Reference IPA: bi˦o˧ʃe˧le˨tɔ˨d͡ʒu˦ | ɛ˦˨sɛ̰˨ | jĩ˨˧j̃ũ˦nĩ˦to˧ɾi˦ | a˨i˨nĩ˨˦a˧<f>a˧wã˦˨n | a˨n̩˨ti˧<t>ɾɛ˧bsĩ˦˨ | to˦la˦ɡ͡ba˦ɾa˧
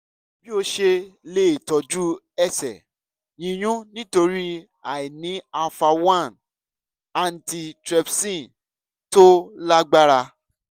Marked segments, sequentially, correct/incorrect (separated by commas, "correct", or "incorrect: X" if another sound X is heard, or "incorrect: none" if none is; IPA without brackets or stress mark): correct, correct